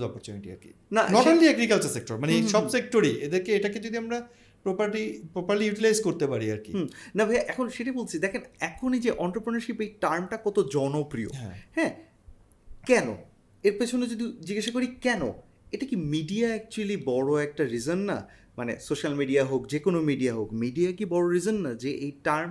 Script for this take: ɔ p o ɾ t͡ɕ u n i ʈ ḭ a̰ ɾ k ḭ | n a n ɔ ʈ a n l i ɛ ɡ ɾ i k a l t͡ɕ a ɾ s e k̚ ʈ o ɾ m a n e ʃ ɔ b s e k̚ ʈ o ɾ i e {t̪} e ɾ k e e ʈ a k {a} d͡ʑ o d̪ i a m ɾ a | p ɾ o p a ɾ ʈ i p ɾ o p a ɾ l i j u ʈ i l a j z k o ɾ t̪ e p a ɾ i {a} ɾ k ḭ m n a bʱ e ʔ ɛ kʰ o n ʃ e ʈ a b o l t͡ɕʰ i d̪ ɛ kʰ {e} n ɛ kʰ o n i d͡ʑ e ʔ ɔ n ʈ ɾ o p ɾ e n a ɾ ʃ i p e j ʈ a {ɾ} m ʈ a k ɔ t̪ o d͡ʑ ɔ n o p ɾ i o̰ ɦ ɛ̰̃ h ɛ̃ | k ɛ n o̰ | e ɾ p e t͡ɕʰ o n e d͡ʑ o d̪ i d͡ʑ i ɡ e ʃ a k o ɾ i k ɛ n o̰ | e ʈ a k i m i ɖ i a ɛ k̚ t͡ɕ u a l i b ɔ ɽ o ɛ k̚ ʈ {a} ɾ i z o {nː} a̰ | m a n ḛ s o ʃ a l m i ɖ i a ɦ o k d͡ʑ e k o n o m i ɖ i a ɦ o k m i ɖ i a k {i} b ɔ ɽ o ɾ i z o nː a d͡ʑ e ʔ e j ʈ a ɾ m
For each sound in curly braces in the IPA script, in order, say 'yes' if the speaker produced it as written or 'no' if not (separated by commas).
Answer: no, no, yes, yes, yes, yes, yes, yes